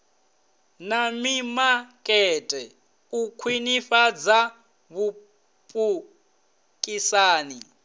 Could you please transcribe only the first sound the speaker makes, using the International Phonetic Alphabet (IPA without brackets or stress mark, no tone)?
n